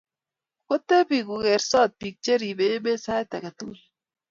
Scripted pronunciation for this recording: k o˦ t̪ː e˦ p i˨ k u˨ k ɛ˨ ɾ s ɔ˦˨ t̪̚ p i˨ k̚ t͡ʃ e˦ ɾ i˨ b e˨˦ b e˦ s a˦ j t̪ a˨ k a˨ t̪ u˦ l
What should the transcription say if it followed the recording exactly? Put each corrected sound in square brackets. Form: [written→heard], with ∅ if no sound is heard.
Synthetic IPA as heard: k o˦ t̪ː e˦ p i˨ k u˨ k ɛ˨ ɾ s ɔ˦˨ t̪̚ p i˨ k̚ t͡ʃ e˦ ɾ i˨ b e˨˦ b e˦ s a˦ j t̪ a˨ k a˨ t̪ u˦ l